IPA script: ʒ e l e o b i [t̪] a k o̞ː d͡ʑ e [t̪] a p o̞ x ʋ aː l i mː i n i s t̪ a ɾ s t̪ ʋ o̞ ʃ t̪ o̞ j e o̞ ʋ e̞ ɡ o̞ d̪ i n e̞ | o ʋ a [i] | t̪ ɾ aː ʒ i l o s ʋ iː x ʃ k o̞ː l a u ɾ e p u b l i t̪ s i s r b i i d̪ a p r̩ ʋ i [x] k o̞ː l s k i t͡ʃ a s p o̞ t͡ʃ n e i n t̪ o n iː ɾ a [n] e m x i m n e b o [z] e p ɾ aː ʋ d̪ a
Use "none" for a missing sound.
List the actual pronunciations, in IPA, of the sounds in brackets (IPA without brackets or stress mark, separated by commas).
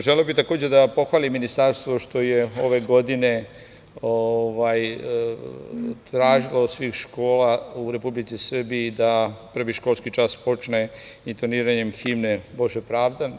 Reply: t̪, d̪, j, ʃ, ɲ, ʒ